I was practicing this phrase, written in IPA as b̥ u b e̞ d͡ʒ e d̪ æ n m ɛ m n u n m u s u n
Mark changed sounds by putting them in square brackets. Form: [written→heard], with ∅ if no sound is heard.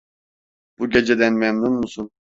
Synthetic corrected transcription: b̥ u [b→ɟ] e̞ d͡ʒ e d̪ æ n m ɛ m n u n m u s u n